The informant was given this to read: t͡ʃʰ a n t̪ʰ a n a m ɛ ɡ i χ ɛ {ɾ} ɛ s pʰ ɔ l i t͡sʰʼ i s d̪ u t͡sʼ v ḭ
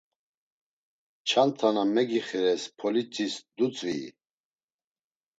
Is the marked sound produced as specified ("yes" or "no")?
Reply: yes